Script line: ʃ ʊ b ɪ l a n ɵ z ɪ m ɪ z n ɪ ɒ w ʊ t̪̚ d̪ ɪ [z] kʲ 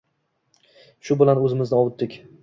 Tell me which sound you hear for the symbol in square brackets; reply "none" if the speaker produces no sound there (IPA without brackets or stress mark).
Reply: none